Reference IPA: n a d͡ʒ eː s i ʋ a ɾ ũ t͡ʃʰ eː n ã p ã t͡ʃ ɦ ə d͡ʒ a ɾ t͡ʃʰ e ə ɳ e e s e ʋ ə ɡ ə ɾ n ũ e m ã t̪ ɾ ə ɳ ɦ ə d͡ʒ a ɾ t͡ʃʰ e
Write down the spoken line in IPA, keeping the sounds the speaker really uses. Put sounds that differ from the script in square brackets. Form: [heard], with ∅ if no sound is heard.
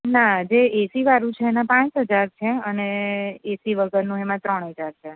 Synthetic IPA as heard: n a d͡ʒ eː s i ʋ a ɾ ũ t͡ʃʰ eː n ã p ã t͡ʃ ɦ ə d͡ʒ a ɾ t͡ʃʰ e ə [n] e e s [i] ʋ ə ɡ ə ɾ n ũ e m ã t̪ ɾ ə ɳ ɦ ə d͡ʒ a ɾ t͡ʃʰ e